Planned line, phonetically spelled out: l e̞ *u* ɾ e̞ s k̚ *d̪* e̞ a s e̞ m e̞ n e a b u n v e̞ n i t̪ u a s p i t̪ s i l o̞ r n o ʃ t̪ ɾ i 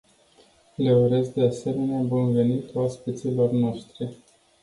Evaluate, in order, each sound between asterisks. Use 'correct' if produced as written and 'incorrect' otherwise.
correct, correct

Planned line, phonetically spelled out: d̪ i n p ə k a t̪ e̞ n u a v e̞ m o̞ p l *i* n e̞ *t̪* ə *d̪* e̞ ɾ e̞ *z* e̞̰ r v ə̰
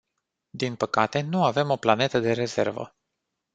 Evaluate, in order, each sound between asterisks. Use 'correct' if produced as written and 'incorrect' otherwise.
incorrect: a, correct, correct, correct

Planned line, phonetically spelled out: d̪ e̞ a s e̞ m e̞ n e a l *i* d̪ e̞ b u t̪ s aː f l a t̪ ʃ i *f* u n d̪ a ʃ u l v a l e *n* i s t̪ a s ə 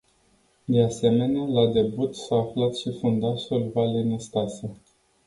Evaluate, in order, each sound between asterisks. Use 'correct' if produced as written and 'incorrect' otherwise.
incorrect: a, correct, correct

